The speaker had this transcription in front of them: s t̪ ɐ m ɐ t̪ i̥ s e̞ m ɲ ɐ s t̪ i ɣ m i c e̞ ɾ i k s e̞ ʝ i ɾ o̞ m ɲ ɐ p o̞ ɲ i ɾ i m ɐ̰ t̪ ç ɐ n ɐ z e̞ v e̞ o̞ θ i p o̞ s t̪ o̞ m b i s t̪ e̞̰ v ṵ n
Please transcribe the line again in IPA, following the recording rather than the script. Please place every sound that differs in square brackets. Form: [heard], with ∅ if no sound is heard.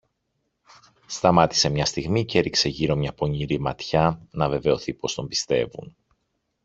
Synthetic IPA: s t̪ ɐ m ɐ t̪ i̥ s e̞ m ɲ ɐ s t̪ i ɣ m i c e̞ ɾ i k s e̞ ʝ i ɾ o̞ m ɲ ɐ p o̞ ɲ i ɾ i m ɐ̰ t̪ ç ɐ n ɐ [v] e̞ v e̞ o̞ θ i p o̞ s t̪ o̞ m b i s t̪ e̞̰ v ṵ n